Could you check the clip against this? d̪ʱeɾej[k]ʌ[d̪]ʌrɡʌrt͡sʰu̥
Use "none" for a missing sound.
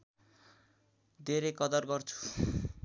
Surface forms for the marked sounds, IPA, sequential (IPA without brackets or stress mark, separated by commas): k, d̪